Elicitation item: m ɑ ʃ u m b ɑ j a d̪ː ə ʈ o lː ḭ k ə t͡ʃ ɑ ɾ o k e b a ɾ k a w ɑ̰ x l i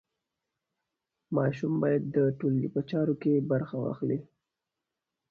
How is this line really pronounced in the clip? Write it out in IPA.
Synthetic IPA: m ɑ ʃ u m b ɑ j a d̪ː ə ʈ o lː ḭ p ə t͡ʃ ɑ ɾ o k e b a ɾ x a w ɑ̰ x l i

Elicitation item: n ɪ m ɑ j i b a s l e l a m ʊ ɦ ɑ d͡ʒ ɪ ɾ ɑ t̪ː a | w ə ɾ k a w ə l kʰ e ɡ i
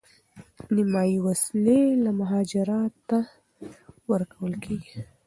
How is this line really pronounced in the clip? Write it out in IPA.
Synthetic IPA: n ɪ m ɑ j i w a s l e l a m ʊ ɦ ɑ d͡ʒ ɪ ɾ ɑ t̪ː a | w ə ɾ k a w ə l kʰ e ɡ i

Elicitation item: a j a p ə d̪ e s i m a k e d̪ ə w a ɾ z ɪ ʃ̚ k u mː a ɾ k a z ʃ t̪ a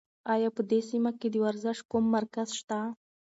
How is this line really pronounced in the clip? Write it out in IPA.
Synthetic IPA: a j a p ə d̪ e s i m a k e d̪ ə w a ɾ z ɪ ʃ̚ k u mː a ɾ k a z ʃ t̪ a

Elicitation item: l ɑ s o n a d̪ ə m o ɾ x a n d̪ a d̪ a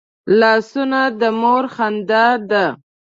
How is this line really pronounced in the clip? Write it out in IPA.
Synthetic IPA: l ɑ s u n a d̪ ə m o ɾ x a n d̪ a d̪ a

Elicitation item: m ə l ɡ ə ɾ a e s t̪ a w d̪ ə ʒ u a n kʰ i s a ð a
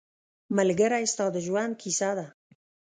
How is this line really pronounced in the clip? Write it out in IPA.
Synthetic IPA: m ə l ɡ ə ɾ a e s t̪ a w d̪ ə ʒ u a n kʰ i s a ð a

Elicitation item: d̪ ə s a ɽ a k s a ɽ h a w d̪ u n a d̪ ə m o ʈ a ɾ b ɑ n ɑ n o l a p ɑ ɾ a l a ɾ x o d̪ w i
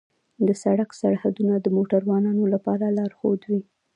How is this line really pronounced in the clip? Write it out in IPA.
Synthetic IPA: d̪ ə s a ɽ a k s a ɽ h a d̪ u n a d̪ ə m o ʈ a ɾ w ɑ n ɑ n o l a p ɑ ɾ a l ɑ ɾ x o d̪ w i

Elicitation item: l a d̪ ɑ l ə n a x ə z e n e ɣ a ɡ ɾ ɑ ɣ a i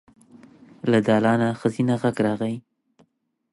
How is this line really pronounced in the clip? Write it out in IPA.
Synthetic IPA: l a d̪ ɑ l ɑ n a x ə z i n a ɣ a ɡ ɾ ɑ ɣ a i

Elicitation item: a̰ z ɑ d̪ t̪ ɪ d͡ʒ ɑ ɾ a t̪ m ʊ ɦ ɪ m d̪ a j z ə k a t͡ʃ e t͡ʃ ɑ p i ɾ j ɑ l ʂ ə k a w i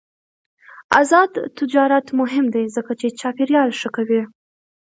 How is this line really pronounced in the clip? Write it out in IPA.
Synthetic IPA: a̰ z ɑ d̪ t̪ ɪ d͡ʒ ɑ ɾ a t̪ m ʊ ɦ ɪ m d̪ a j z ə k a t͡ʃ e t͡ʃ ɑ p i ɾ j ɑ l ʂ ə k a w i

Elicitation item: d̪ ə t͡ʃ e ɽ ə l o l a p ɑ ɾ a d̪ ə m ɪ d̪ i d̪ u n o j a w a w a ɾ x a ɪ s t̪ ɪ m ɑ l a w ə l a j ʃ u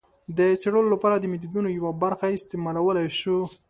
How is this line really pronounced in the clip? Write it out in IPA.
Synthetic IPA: d̪ ə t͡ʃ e ɽ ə l o l a p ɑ ɾ a d̪ ə m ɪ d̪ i d̪ u n o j a w a b a ɾ x a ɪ s t̪ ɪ m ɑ l a w ə l a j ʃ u

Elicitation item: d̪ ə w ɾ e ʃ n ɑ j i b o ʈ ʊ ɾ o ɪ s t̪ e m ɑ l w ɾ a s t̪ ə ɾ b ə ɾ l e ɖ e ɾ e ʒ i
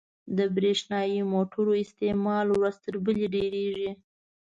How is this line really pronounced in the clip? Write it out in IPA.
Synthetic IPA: d̪ ə b ɾ e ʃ n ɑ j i m o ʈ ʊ ɾ o ɪ s t̪ e m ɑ l w ɾ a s t̪ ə ɾ b ə l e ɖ e ɾ e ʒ i

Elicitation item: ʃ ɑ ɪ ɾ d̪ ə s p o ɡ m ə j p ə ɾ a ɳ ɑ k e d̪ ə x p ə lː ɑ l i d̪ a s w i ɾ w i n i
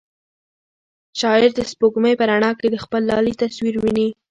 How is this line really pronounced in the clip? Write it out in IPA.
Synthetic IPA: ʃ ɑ ɪ ɾ d̪ ə s p o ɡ m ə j p ə ɾ a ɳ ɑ k e d̪ ə x p ə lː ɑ l i t̪ a s w i ɾ w i n i

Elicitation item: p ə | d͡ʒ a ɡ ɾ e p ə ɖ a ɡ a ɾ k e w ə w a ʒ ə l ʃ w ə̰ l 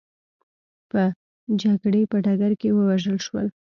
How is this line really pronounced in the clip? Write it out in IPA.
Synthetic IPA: p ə | d͡ʒ a ɡ ɽ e p ə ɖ a ɡ a ɾ k e w ə w a ʒ ə l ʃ w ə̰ l

